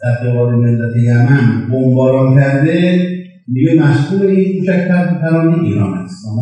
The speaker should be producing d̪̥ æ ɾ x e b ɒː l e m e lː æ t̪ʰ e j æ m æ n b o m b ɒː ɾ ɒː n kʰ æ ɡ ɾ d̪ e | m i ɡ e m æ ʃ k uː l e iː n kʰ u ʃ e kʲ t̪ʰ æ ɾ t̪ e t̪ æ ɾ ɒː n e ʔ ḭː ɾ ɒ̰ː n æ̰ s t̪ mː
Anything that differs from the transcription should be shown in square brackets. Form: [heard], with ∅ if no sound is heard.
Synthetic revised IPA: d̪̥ æ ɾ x e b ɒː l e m e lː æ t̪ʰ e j æ m æ n b o m b ɒː ɾ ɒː n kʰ æ [∅] ɾ d̪ e | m i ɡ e m æ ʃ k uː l e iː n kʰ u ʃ [æ] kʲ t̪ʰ æ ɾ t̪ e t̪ æ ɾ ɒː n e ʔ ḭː ɾ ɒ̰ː n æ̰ s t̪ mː